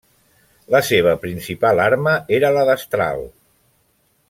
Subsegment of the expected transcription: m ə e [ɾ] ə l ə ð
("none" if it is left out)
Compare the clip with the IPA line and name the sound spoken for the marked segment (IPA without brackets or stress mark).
ɾ